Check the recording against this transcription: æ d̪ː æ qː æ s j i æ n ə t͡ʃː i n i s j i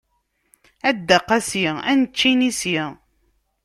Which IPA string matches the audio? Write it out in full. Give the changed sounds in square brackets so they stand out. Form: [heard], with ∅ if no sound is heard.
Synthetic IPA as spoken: æ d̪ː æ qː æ s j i æ n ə t͡ʃː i n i s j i